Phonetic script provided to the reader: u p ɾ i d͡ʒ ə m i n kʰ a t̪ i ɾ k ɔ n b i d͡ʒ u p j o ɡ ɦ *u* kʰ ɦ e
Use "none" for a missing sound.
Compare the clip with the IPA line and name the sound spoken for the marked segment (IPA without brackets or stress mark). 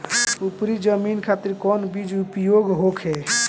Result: o